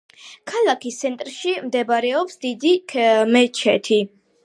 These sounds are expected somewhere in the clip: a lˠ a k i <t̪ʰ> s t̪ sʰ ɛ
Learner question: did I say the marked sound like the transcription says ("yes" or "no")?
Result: no